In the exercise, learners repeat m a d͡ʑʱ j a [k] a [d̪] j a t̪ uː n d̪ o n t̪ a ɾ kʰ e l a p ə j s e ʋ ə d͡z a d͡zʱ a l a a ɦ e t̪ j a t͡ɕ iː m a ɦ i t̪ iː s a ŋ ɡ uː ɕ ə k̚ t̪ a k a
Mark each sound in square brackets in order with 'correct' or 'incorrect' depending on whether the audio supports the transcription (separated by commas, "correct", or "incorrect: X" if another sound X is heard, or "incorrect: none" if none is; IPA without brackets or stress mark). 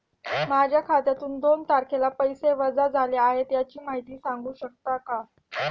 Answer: incorrect: kʰ, incorrect: t̪